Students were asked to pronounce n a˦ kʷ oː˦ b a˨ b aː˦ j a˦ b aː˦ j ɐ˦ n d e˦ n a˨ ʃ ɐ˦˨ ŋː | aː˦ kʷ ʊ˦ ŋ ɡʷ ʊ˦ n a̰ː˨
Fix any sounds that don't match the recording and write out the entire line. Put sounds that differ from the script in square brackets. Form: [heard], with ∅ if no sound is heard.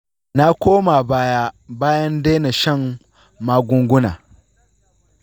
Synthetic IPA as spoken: n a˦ kʷ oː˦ [m] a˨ b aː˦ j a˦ b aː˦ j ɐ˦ n d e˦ n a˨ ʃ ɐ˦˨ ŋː | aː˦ [ɡʷ] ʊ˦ ŋ ɡʷ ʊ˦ n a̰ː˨